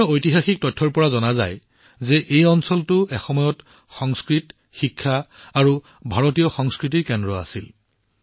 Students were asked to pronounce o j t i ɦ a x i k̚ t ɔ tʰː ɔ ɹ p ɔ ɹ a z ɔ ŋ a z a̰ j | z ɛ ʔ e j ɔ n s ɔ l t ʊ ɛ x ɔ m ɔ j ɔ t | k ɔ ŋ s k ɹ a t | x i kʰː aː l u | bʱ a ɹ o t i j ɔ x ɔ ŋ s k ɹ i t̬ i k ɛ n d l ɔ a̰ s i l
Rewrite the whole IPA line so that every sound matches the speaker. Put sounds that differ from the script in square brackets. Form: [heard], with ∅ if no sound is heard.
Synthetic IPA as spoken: o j t i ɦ a x i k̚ t ɔ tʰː ɔ ɹ p ɔ ɹ a z ɔ [n] a z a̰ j | z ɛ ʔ e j ɔ n s ɔ l t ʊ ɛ x ɔ m ɔ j ɔ t | [x] ɔ ŋ s k ɹ [i] t | x i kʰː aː [ɹ] u | bʱ a ɹ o t i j ɔ x ɔ ŋ s k ɹ i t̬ i k ɛ n d [ɹ] ɔ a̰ s i l